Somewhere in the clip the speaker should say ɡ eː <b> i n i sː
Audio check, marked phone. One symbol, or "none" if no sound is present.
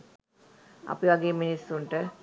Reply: m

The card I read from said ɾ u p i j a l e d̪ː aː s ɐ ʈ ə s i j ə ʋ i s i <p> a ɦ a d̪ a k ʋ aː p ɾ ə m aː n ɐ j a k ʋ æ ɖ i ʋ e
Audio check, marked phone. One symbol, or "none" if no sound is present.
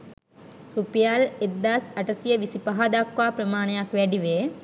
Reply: p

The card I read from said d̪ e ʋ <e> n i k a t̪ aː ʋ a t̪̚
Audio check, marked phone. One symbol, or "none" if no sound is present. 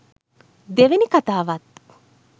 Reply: e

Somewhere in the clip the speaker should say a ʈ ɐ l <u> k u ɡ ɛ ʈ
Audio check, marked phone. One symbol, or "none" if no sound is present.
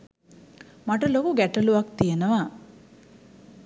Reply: o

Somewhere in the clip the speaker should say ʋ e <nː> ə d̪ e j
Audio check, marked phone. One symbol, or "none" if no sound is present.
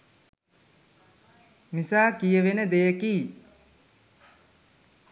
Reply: n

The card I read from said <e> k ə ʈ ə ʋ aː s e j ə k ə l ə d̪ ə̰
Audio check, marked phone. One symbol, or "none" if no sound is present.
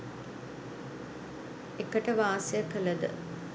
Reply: e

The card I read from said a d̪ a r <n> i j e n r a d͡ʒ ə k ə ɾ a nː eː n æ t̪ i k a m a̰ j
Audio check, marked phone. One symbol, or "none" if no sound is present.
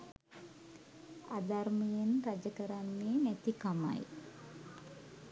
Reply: m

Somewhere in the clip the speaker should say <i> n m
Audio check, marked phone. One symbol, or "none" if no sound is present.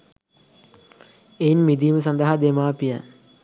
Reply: e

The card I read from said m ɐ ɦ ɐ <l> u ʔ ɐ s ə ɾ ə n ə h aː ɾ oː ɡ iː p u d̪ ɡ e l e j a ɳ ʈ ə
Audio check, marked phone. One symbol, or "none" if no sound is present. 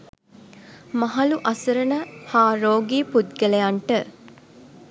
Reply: l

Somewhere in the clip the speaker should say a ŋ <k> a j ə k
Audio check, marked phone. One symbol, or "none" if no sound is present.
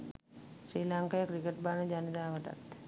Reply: k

